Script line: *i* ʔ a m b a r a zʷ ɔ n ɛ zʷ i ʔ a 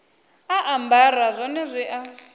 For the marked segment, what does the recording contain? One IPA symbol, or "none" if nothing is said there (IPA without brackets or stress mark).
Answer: a